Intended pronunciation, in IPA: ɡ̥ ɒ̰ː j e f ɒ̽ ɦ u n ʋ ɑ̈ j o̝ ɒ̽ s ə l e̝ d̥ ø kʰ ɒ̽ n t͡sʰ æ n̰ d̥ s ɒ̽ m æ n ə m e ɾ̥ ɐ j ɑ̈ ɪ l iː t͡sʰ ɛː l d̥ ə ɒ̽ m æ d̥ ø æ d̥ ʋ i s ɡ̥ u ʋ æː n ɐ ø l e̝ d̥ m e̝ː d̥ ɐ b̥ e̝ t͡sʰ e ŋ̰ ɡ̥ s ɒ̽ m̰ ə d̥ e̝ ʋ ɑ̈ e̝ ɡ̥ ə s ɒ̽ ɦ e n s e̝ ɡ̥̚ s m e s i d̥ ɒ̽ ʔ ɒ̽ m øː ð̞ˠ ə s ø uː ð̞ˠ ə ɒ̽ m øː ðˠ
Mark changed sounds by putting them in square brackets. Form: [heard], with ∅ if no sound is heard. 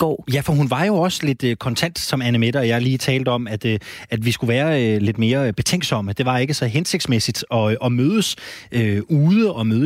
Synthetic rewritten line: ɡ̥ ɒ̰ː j [æ] f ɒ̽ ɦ u n ʋ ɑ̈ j o̝ ɒ̽ s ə l e̝ d̥ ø kʰ ɒ̽ n t͡sʰ æ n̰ d̥ s ɒ̽ m æ n ə m e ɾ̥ ɐ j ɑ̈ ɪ l iː t͡sʰ ɛː l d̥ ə ɒ̽ m æ d̥ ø æ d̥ ʋ i s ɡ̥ u ʋ æː [∅] ɐ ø l e̝ d̥ m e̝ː [∅] ɐ b̥ e̝ t͡sʰ e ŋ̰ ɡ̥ s ɒ̽ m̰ ə d̥ e̝ ʋ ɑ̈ e̝ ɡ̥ ə s ɒ̽ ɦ e n s e̝ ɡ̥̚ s m e s i d̥ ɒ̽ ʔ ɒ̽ m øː ð̞ˠ ə s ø uː ð̞ˠ ə ɒ̽ m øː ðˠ